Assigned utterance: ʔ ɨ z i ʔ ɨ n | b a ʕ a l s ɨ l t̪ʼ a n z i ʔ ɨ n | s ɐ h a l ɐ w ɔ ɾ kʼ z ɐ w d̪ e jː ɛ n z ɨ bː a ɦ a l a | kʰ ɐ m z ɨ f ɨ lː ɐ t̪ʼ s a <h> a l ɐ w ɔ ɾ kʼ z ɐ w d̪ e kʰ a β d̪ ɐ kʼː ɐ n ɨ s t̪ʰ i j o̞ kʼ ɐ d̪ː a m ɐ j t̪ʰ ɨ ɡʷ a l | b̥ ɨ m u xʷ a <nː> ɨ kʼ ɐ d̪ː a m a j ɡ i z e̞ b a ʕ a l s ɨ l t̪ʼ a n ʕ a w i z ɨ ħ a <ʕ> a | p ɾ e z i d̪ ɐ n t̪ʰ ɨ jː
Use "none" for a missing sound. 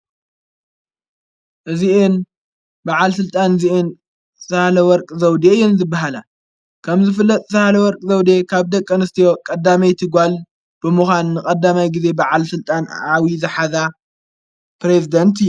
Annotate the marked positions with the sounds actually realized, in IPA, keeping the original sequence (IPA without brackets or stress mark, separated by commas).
h, nː, z